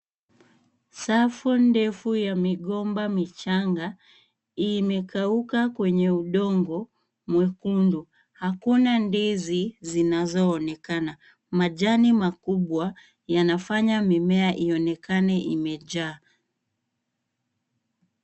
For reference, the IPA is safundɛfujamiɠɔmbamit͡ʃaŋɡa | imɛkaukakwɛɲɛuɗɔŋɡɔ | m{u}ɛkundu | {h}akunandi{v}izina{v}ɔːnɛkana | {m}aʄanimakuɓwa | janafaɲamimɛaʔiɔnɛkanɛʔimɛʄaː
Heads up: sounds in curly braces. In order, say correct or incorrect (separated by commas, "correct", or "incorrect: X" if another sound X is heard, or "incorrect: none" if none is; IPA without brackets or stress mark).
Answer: incorrect: w, correct, incorrect: z, incorrect: z, correct